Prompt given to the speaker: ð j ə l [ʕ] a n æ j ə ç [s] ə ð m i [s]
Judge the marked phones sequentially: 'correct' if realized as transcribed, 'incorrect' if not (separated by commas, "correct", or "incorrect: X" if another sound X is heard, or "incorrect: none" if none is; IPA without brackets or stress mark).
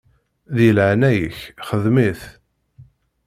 correct, incorrect: χ, incorrect: θ